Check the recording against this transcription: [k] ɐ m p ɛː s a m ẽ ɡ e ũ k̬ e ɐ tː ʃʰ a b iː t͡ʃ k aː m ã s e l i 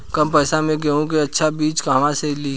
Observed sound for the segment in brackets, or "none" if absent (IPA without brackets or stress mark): k